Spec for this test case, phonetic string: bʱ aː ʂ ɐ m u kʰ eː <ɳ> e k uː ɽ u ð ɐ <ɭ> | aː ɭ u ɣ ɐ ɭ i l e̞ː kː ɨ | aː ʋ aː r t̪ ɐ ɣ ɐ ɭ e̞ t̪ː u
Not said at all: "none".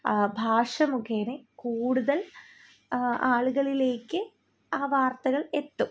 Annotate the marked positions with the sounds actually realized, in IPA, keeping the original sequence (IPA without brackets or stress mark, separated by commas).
n, l